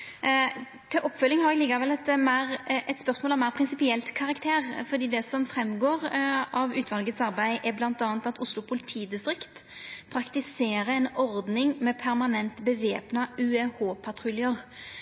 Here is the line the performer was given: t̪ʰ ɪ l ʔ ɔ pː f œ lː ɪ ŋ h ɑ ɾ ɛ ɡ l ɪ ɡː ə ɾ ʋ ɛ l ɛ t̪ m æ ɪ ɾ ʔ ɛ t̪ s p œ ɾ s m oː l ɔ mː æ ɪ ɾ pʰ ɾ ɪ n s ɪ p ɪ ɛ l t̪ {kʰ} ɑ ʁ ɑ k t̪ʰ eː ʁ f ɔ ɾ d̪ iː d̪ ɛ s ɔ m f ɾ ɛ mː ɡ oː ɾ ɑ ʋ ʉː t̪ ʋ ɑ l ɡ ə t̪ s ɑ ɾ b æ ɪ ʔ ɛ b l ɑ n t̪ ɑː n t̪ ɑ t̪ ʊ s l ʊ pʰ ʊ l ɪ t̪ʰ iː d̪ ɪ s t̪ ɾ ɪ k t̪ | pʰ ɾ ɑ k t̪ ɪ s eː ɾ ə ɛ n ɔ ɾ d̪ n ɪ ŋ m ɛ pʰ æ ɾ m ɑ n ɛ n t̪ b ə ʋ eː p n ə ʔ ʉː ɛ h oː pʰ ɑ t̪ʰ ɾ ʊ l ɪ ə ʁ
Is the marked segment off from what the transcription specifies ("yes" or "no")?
no